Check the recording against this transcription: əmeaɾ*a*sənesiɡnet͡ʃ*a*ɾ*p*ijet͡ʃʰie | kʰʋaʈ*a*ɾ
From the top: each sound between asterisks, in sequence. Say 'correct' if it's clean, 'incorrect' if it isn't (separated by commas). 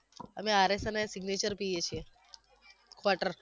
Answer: incorrect, incorrect, correct, incorrect